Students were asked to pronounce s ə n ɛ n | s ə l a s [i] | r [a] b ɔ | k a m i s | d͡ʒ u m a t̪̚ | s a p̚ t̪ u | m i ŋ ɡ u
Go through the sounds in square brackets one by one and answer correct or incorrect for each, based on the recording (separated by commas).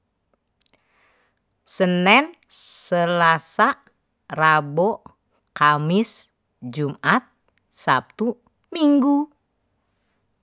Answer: incorrect, correct